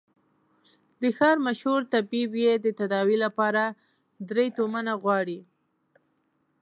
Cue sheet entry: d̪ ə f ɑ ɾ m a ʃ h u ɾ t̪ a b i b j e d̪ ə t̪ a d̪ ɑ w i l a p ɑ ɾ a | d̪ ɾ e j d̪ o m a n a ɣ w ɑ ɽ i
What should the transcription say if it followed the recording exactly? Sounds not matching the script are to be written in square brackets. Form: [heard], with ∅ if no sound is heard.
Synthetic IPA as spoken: d̪ ə [x] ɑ ɾ m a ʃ h u ɾ t̪ a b i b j e d̪ ə t̪ a d̪ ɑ w i l a p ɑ ɾ a | d̪ ɾ e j [t̪] o m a n a ɣ w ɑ ɽ i